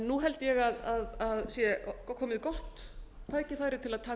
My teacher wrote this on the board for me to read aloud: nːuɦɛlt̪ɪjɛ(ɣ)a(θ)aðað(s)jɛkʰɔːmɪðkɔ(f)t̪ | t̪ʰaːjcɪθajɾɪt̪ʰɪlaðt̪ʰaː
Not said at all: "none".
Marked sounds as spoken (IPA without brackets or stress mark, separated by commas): ɣ, ð, s, h